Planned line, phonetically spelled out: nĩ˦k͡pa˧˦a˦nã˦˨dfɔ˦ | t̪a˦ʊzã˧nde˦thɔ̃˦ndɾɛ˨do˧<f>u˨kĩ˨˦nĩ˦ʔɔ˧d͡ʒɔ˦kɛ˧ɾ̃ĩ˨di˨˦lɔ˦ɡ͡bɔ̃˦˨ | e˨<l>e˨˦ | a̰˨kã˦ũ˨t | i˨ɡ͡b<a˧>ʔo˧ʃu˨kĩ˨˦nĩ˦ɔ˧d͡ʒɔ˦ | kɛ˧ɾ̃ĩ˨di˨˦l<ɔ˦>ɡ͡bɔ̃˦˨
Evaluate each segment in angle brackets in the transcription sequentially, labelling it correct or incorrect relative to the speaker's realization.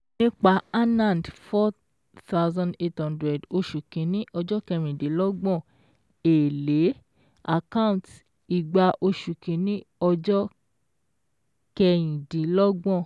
incorrect: ʃ, correct, correct, correct

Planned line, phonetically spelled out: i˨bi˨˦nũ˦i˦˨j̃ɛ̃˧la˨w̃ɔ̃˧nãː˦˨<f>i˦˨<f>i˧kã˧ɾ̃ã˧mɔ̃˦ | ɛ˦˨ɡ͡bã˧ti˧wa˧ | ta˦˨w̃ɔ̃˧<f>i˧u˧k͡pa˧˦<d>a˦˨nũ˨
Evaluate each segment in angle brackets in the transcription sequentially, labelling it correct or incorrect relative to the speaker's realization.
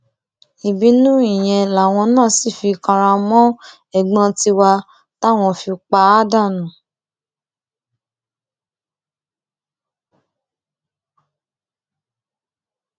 incorrect: s, correct, correct, correct

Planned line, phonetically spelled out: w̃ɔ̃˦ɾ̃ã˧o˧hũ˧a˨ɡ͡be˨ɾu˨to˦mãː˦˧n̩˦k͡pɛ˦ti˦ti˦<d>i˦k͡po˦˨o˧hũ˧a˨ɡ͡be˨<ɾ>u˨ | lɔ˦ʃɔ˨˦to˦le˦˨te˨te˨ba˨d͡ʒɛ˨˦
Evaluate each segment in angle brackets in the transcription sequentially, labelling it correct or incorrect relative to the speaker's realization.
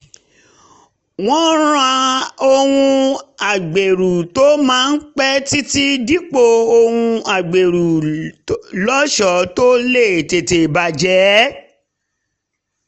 correct, correct

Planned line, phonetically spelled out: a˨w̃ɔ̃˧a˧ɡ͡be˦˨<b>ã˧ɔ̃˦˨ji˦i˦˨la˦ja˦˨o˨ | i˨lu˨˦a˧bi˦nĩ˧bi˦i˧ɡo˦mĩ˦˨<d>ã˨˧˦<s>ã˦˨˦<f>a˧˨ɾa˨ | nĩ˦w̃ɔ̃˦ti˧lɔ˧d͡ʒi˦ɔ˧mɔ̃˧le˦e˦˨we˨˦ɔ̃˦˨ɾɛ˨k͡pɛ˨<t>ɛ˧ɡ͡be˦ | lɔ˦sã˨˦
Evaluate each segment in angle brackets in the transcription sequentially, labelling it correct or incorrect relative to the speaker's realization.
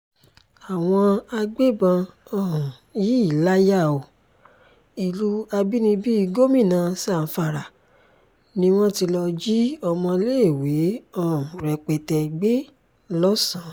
correct, incorrect: n, correct, correct, correct

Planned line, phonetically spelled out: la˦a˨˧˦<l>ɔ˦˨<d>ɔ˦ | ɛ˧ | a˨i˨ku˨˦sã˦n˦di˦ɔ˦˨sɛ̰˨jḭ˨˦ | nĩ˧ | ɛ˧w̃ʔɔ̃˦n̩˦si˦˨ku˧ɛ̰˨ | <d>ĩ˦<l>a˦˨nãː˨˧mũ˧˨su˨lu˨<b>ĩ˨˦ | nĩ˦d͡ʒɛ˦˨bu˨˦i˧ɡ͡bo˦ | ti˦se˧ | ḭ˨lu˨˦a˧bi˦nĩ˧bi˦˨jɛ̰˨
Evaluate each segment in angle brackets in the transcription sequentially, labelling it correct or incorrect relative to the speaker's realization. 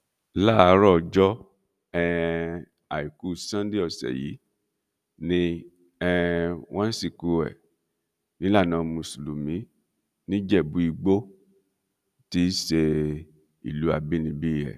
incorrect: ɾ, incorrect: d͡ʒ, incorrect: n, correct, incorrect: m

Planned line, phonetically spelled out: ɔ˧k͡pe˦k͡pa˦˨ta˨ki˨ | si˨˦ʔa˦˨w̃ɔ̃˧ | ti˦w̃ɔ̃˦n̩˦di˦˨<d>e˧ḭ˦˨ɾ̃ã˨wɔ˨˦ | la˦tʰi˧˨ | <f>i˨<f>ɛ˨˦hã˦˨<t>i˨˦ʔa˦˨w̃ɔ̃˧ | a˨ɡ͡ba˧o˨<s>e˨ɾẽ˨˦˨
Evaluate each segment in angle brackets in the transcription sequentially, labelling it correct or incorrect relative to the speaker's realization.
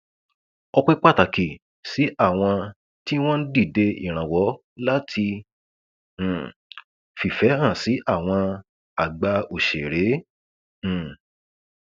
correct, correct, correct, incorrect: s, incorrect: ʃ

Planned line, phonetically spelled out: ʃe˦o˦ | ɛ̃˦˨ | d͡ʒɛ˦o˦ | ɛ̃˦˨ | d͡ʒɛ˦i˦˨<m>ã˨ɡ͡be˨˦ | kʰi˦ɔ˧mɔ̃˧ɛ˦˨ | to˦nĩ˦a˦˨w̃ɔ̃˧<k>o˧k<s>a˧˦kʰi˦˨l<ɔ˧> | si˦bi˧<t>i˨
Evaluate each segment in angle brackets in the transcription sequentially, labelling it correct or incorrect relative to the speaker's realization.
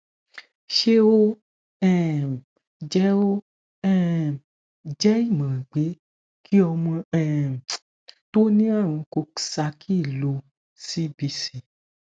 correct, correct, correct, incorrect: o˧, incorrect: s

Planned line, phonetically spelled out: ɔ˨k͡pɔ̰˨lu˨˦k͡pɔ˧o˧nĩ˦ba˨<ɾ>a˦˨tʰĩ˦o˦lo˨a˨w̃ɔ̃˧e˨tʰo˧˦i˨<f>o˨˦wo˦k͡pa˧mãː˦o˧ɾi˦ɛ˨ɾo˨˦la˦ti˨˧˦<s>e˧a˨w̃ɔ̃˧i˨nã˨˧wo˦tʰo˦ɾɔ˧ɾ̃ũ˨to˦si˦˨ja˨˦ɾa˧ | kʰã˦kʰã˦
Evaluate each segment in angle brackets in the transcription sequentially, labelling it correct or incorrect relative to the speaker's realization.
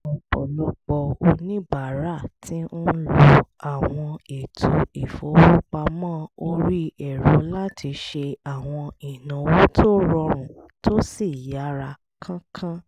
correct, correct, incorrect: ʃ

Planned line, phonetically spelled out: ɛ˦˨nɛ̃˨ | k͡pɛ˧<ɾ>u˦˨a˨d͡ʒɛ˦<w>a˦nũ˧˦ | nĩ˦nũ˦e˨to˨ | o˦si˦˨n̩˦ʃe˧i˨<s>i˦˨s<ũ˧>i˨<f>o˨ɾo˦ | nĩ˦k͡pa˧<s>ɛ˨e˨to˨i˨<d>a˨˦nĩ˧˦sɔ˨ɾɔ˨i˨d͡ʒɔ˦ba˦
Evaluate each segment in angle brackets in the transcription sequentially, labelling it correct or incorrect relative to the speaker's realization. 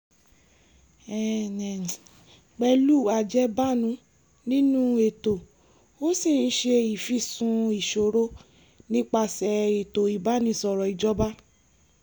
incorrect: l, incorrect: b, incorrect: f, correct, incorrect: ʃ, correct, incorrect: b

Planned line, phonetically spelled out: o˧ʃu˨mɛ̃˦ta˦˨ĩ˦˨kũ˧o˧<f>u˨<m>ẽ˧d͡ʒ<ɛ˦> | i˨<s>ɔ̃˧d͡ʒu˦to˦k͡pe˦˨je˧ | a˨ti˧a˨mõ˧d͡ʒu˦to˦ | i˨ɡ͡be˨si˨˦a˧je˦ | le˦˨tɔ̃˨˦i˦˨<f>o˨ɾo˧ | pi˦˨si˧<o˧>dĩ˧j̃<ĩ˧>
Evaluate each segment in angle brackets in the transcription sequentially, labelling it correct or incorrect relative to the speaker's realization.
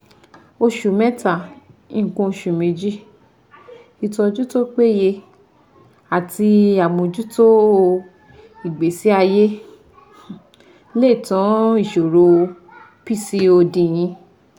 incorrect: ʃ, correct, incorrect: i˦, incorrect: t, incorrect: ʃ, correct, correct

